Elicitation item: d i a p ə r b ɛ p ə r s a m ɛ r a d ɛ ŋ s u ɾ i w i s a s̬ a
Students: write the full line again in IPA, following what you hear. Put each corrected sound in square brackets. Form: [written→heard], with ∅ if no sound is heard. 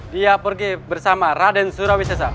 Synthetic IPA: d i a p ə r [b→ɡ] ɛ [p→b] ə r s a m [ɛ→a] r a d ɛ [ŋ→n] s u ɾ [i→a] w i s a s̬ a